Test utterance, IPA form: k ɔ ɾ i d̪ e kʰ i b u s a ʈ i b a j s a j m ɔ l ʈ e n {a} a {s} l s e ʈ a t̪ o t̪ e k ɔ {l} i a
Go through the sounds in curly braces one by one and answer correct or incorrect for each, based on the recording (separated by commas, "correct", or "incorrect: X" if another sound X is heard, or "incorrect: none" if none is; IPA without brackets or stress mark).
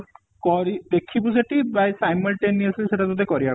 incorrect: i, correct, incorrect: ɾ